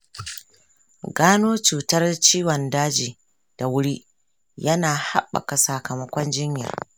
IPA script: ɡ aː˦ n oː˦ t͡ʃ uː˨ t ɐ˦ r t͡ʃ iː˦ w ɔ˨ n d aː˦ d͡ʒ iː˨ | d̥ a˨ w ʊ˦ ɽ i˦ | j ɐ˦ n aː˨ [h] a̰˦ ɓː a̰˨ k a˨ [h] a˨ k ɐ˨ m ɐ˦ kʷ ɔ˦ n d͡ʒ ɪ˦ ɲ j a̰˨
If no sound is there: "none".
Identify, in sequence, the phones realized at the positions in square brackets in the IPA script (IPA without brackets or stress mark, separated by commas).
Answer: h, s